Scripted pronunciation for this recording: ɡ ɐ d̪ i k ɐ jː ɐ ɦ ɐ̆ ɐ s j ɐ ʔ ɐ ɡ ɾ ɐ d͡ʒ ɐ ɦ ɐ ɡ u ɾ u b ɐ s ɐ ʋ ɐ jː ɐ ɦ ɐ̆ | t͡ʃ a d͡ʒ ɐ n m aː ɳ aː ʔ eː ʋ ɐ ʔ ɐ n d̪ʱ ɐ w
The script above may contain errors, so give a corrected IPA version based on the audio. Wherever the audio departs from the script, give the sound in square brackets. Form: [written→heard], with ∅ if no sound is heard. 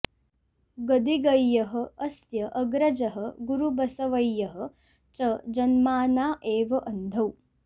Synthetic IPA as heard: ɡ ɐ d̪ i [k→ɡ] ɐ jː ɐ ɦ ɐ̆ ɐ s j ɐ ʔ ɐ ɡ ɾ ɐ d͡ʒ ɐ ɦ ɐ ɡ u ɾ u b ɐ s ɐ ʋ ɐ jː ɐ ɦ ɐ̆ | t͡ʃ [a→ɐ] d͡ʒ ɐ n m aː [ɳ→n] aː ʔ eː ʋ ɐ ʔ ɐ n d̪ʱ ɐ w

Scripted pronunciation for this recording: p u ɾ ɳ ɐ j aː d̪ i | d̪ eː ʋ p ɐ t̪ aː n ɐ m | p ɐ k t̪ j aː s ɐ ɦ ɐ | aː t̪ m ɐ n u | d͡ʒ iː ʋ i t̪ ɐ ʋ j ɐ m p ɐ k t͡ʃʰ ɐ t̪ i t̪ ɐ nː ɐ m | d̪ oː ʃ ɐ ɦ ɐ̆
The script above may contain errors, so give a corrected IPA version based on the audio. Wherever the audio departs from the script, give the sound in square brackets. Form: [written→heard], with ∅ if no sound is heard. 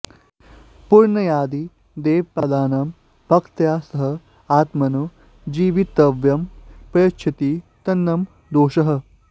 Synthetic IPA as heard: p u ɾ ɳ ɐ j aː d̪ i | d̪ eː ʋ p ɐ [t̪→d̪] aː n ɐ m | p ɐ k t̪ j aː s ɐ ɦ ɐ | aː t̪ m ɐ n u | d͡ʒ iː ʋ i t̪ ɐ ʋ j ɐ m p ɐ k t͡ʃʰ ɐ t̪ i t̪ ɐ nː ɐ m | d̪ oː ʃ ɐ ɦ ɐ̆

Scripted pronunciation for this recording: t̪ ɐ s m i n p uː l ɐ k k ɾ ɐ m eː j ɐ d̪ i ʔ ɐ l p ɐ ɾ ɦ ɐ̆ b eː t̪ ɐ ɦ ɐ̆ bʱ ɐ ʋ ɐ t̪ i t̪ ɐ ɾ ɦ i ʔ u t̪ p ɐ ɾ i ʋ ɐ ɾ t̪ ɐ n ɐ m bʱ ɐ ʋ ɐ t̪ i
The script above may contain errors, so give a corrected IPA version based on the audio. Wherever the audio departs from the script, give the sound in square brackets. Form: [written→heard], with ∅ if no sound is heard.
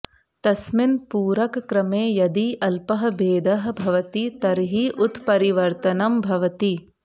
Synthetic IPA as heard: t̪ ɐ s m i n p uː [l→ɾ] ɐ k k ɾ ɐ m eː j ɐ d̪ i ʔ ɐ l p ɐ [ɾ→∅] ɦ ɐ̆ b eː [t̪→d̪] ɐ ɦ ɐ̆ bʱ ɐ ʋ ɐ t̪ i t̪ ɐ ɾ ɦ i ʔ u t̪ p ɐ ɾ i ʋ ɐ ɾ t̪ ɐ n ɐ m bʱ ɐ ʋ ɐ t̪ i

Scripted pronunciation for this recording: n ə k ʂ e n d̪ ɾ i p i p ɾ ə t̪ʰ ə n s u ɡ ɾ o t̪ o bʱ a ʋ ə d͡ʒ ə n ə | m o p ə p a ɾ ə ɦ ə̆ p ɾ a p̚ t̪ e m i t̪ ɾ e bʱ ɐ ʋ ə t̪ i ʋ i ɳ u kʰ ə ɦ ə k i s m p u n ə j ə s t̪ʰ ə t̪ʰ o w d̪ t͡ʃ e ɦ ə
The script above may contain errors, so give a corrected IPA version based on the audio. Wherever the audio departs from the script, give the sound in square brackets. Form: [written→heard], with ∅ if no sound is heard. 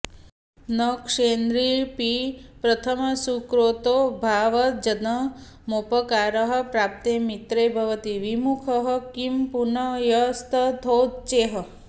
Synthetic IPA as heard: n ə k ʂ e n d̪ ɾ i p i p ɾ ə t̪ʰ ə [n→m] s u [ɡ→k] ɾ o t̪ o bʱ a ʋ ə d͡ʒ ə n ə | m o p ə [p→k] a ɾ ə ɦ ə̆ p ɾ a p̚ t̪ e m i t̪ ɾ e bʱ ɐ ʋ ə t̪ i ʋ i [ɳ→m] u kʰ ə ɦ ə k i [s→∅] m p u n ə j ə s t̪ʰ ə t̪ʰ o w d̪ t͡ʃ e ɦ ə

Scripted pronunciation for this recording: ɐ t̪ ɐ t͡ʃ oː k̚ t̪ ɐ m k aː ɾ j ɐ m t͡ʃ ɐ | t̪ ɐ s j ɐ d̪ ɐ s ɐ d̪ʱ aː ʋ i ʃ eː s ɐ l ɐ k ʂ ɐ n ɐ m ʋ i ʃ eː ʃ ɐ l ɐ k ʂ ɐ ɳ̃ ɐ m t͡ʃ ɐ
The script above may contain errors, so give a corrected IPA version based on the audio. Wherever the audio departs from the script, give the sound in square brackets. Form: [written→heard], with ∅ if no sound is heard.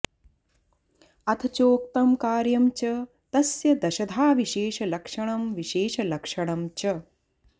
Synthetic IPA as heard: ɐ [t̪→t̪ʰ] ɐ t͡ʃ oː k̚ t̪ ɐ m k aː ɾ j ɐ m t͡ʃ ɐ | t̪ ɐ s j ɐ d̪ ɐ [s→ʃ] ɐ d̪ʱ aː ʋ i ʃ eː [s→ʃ] ɐ l ɐ k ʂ ɐ [n→ɳ] ɐ m ʋ i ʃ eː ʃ ɐ l ɐ k ʂ ɐ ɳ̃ ɐ m t͡ʃ ɐ

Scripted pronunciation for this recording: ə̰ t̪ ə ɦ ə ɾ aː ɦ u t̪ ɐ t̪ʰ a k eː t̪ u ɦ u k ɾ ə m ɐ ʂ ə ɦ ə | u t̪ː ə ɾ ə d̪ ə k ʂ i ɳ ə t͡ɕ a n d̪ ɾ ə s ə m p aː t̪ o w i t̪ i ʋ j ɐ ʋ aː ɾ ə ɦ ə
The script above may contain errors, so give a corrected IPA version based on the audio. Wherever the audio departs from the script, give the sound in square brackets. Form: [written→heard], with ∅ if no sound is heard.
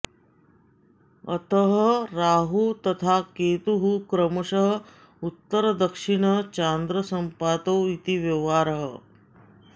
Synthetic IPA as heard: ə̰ t̪ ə ɦ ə ɾ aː ɦ u t̪ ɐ t̪ʰ a k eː t̪ u ɦ u k ɾ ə m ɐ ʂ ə ɦ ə | u t̪ː ə ɾ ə d̪ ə k ʂ i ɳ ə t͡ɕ a n d̪ ɾ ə s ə m p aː t̪ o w i t̪ i ʋ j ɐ ʋ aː ɾ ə ɦ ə

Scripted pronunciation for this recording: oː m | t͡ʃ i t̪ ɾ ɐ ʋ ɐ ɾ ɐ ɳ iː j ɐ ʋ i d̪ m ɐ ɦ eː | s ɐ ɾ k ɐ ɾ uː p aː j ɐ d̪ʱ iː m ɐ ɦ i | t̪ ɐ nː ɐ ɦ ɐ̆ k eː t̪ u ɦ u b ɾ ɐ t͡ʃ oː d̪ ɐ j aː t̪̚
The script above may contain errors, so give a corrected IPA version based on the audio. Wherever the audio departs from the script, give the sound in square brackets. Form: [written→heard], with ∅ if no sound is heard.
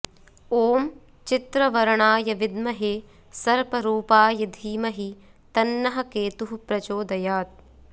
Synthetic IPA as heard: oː m | t͡ʃ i t̪ ɾ ɐ ʋ ɐ ɾ ɐ ɳ [iː→aː] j ɐ ʋ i d̪ m ɐ ɦ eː | s ɐ ɾ [k→p] ɐ ɾ uː p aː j ɐ d̪ʱ iː m ɐ ɦ i | t̪ ɐ nː ɐ ɦ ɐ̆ k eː t̪ u ɦ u [b→p] ɾ ɐ t͡ʃ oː d̪ ɐ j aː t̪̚

